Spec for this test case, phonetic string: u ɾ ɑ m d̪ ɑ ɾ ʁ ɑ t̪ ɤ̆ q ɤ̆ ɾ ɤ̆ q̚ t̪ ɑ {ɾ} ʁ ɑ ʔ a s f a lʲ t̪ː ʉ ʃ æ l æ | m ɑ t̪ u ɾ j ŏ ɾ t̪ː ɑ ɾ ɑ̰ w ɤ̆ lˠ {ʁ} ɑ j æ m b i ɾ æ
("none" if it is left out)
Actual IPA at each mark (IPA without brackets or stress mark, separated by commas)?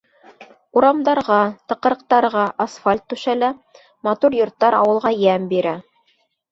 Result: ɾ, ʁ